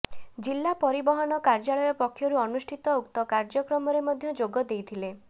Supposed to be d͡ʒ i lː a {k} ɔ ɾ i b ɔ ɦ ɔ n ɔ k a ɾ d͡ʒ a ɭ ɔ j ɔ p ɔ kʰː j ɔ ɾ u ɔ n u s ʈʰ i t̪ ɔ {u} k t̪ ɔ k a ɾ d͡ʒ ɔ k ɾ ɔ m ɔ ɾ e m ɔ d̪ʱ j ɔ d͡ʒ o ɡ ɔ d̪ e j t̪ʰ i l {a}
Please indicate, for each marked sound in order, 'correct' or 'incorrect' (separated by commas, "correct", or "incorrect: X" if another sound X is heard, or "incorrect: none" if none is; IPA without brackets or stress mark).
incorrect: p, correct, incorrect: e